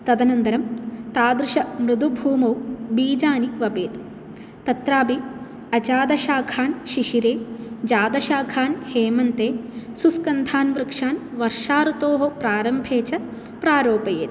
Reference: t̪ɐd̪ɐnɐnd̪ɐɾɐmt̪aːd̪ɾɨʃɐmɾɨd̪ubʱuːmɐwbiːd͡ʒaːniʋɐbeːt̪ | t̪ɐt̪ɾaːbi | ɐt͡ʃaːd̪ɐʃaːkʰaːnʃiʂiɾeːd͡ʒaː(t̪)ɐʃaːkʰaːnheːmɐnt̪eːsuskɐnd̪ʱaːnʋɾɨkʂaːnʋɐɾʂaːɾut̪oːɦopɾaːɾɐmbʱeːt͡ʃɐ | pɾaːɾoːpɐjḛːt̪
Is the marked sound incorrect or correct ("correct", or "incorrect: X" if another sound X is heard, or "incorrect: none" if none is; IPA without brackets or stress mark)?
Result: incorrect: d̪